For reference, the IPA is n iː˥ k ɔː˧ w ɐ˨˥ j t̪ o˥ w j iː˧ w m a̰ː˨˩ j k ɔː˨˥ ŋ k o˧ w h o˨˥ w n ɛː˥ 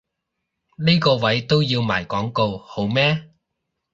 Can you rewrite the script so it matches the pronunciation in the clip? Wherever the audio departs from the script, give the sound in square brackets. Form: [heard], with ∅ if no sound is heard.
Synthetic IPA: n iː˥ k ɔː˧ w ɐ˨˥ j t̪ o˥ w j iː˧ w m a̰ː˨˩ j k ɔː˨˥ ŋ k o˧ w h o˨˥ w [m] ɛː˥